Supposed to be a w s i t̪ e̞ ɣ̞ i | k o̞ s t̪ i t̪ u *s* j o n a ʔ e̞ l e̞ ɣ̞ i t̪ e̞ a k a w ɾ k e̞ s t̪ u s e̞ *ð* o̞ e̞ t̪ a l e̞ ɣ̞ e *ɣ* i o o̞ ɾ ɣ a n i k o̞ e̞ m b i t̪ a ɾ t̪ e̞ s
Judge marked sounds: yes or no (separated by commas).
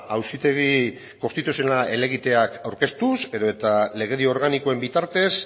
yes, yes, no